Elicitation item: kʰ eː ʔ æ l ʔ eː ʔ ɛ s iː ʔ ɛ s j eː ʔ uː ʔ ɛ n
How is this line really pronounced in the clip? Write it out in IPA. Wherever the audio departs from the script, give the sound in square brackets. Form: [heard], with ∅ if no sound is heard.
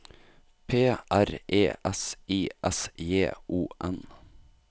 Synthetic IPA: [pʰ] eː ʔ æ [ɾ] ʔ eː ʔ ɛ s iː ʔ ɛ s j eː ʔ uː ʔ ɛ n